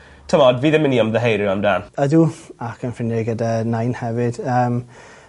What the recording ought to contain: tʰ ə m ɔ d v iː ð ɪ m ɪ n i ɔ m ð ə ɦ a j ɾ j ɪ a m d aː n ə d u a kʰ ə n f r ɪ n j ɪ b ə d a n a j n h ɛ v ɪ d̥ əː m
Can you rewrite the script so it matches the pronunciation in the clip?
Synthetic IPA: tʰ ə m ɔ d v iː ð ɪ m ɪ n i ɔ m ð ə ɦ e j ɾ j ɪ a m d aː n ə d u a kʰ ə n f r ɪ n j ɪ ɡ ə d a n a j n h ɛ v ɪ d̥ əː m